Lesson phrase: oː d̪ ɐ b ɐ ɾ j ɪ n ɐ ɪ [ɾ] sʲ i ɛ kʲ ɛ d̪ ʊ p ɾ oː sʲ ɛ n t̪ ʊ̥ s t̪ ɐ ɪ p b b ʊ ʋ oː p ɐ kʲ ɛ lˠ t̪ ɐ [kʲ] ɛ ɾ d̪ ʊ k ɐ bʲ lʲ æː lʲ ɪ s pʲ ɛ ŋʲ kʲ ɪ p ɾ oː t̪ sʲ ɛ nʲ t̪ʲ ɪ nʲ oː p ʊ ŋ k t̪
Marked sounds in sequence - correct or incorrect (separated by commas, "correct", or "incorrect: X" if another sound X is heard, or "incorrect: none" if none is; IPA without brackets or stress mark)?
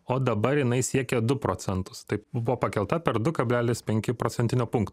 incorrect: none, incorrect: pʲ